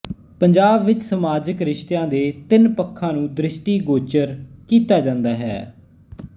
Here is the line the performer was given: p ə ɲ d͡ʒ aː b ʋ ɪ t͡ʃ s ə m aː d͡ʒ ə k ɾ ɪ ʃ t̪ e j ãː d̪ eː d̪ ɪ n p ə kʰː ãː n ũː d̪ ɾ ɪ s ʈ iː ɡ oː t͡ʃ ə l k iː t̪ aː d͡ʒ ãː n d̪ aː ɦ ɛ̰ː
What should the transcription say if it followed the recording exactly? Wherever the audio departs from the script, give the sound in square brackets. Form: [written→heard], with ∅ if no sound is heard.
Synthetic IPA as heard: p ə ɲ d͡ʒ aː b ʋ ɪ t͡ʃ s ə m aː d͡ʒ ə k ɾ ɪ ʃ t̪ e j ãː d̪ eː [d̪→t̪] ɪ n p ə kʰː ãː n ũː d̪ ɾ ɪ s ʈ iː ɡ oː t͡ʃ ə [l→ɾ] k iː t̪ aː d͡ʒ ãː n d̪ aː ɦ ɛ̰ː

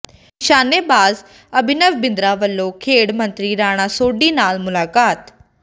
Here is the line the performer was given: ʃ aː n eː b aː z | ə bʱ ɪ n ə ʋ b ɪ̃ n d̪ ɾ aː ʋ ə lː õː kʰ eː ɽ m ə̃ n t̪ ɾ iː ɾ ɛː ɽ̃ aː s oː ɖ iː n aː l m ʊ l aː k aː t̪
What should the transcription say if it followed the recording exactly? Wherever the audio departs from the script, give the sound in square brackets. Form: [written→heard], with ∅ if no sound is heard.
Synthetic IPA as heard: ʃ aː n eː b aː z | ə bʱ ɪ n ə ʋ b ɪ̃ n d̪ ɾ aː ʋ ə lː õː kʰ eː ɽ m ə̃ n t̪ ɾ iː ɾ [ɛː→aː] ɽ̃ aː s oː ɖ iː n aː l m ʊ l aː k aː t̪

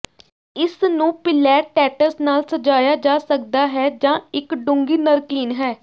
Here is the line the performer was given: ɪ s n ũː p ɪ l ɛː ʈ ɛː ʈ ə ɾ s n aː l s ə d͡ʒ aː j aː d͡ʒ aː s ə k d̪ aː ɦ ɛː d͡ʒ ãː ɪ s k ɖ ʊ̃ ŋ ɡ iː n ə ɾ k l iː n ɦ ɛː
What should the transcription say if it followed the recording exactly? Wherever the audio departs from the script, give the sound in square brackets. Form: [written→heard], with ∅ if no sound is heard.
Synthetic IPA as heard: ɪ s n ũː p ɪ l ɛː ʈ ɛː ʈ ə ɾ s n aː l s ə d͡ʒ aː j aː d͡ʒ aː s ə k d̪ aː ɦ ɛː d͡ʒ ãː ɪ [s→∅] k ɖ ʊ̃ ŋ ɡ iː n ə ɾ k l iː n ɦ ɛː

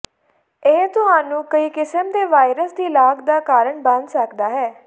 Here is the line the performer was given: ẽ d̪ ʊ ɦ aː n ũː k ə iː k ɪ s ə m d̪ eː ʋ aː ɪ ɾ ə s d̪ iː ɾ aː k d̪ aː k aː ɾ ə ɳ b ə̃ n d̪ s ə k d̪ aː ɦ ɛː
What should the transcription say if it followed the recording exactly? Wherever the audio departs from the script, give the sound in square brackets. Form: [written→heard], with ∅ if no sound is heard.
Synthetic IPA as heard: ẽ [d̪→t̪] ʊ ɦ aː n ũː k ə iː k ɪ s ə m d̪ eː ʋ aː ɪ ɾ ə s d̪ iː [ɾ→l] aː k d̪ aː k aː ɾ ə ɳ b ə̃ n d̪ s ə k d̪ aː ɦ ɛː

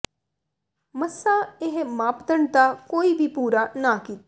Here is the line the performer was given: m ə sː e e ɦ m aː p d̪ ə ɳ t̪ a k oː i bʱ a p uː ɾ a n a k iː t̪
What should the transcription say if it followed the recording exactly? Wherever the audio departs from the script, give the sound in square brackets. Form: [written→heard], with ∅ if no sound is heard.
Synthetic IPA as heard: m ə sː [e→a] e ɦ m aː p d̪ ə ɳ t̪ a k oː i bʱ [a→i] p uː ɾ a n a k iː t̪

